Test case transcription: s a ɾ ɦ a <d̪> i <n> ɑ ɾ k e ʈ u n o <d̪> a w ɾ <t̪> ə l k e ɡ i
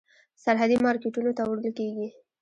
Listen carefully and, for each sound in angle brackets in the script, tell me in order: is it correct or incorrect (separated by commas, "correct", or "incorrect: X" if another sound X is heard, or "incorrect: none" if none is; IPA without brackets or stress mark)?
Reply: correct, incorrect: m, incorrect: t̪, incorrect: d̪